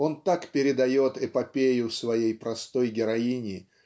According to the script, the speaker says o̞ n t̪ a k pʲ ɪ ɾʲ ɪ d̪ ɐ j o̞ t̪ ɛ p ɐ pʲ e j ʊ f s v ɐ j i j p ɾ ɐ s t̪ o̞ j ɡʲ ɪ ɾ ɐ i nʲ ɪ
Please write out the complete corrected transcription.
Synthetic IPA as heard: o̞ n t̪ a k pʲ ɪ ɾʲ ɪ d̪ ɐ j o̞ t̪ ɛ p ɐ pʲ e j ʊ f s v ɐ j e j p ɾ ɐ s t̪ o̞ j ɡʲ ɪ ɾ ɐ i nʲ ɪ